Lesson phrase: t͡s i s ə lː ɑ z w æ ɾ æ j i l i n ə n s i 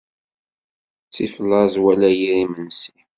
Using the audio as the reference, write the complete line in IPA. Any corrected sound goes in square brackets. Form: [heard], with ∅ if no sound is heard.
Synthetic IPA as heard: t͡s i [f] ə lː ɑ z w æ [l] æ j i [ɾ] i [m] ə n s i